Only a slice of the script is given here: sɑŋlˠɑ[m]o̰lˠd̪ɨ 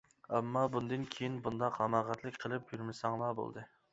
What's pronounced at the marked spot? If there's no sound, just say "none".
b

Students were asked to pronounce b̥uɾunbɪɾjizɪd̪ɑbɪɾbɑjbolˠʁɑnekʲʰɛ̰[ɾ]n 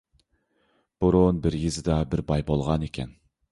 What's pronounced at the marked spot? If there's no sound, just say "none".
none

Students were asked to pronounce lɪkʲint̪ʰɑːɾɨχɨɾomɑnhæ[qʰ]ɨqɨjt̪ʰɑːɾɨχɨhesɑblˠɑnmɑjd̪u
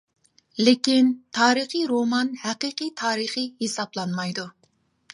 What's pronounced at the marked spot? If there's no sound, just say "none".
q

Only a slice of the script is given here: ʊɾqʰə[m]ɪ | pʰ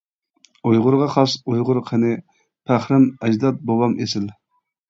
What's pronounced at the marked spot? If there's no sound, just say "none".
n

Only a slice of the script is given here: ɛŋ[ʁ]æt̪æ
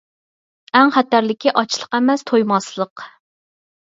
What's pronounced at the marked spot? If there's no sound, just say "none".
χ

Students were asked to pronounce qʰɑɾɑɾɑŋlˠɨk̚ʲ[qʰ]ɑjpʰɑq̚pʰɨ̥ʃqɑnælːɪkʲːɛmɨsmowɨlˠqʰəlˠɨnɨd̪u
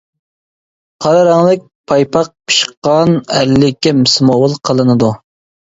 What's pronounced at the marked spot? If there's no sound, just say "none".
pʰ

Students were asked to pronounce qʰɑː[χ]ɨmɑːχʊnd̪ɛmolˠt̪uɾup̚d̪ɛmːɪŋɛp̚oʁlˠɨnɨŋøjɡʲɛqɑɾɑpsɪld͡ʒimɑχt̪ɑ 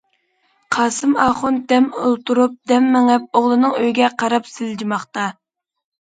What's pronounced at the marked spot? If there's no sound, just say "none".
s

